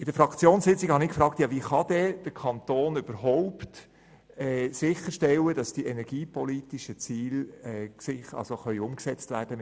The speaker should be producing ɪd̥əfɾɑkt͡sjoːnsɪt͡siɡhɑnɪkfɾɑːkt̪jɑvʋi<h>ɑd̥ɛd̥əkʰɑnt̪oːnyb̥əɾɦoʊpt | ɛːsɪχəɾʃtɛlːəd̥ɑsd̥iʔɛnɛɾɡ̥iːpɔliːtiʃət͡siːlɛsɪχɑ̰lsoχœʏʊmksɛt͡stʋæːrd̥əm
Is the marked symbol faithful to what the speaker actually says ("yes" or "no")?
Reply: no